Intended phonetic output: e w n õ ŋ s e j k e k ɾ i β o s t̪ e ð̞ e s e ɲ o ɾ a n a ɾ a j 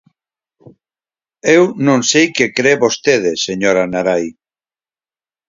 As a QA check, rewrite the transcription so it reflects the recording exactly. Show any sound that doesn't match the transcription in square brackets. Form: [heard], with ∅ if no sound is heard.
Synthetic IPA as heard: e w n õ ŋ s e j k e k ɾ [e] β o s t̪ e ð̞ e s e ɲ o ɾ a n a ɾ a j